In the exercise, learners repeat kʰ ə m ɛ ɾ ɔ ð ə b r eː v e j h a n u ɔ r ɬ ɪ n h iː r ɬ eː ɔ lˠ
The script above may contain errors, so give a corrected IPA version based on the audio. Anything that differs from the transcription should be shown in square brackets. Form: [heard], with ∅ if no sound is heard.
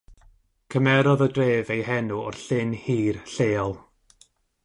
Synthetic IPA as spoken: kʰ ə m ɛ ɾ ɔ ð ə [d] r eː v e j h [ɛ] n u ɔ r ɬ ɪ n h iː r ɬ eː ɔ lˠ